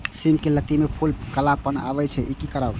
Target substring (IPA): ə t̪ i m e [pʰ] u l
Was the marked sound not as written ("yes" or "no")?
no